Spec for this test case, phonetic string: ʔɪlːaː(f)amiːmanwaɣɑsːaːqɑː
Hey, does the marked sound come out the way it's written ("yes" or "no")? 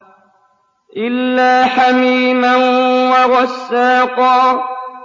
no